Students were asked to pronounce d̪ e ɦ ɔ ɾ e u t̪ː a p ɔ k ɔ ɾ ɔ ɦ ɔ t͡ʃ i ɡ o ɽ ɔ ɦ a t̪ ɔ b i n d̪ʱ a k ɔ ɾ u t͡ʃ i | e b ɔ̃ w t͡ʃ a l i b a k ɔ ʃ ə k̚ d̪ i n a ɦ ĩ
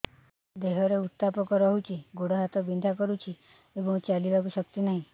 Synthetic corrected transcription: d̪ e ɦ ɔ ɾ e u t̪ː a p ɔ k ɔ ɾ ɔ ɦ u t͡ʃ i ɡ o ɽ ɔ ɦ a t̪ ɔ b i n d̪ʱ a k ɔ ɾ u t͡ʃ i | e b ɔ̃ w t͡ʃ a l i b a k u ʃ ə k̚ t̪ i n a ɦ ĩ